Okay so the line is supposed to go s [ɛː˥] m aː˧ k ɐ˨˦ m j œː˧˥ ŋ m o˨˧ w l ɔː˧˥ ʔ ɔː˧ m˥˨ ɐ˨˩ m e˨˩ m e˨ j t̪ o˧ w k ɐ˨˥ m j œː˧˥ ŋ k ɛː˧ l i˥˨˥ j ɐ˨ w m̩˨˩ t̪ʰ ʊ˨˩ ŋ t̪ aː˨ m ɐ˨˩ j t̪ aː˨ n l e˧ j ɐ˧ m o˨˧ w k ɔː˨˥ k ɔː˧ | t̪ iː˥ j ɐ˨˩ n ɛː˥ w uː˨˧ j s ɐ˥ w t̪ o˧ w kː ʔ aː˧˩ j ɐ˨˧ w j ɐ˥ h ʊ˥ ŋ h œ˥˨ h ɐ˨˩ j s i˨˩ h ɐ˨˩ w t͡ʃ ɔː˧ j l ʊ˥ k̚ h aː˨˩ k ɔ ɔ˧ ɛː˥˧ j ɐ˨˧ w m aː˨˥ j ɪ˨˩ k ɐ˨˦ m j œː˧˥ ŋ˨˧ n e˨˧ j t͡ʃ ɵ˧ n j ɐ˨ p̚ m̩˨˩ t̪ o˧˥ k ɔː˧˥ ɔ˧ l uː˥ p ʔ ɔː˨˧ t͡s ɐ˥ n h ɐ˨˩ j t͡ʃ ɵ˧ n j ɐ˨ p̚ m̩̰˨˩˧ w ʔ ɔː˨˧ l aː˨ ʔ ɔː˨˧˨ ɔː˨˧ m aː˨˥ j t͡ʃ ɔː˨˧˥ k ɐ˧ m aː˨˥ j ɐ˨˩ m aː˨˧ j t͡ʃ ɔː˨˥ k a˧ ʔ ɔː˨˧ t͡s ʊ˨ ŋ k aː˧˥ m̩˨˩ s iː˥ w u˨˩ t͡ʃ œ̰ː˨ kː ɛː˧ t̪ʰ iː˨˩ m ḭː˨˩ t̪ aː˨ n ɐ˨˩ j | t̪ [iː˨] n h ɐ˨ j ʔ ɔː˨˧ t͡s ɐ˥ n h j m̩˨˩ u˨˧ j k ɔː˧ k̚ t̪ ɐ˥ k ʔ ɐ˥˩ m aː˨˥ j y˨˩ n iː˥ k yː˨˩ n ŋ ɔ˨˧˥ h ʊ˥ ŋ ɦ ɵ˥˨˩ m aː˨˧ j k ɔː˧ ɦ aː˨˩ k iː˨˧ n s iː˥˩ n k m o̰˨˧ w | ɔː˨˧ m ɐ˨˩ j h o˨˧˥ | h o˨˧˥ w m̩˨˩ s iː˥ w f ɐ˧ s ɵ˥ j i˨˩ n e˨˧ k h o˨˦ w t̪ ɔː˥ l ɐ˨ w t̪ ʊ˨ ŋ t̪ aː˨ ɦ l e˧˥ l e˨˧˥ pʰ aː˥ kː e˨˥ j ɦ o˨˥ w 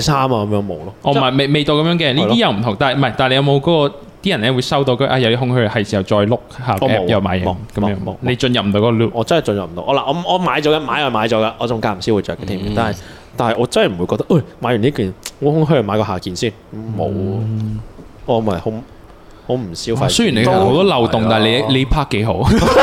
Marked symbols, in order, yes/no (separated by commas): no, no